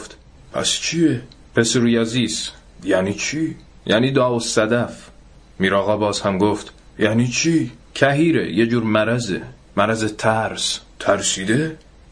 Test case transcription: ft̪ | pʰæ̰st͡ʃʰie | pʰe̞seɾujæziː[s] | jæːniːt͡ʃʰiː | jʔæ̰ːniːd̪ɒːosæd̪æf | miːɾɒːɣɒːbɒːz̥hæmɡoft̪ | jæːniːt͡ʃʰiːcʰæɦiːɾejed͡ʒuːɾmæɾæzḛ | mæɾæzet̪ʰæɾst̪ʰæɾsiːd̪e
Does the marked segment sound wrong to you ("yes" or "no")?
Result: no